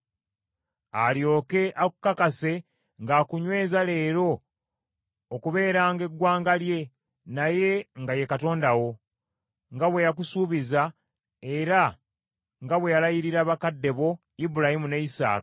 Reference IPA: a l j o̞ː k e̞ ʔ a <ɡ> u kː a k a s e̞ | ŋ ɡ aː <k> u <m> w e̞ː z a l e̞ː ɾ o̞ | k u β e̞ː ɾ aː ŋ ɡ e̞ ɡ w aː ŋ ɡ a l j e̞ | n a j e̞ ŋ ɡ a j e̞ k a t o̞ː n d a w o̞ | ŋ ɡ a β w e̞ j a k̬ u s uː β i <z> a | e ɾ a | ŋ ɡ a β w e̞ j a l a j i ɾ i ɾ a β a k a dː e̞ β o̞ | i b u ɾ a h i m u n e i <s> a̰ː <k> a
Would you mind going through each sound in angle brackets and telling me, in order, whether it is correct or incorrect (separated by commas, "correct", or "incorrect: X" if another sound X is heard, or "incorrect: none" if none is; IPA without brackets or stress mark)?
incorrect: k, correct, incorrect: ɲ, correct, correct, correct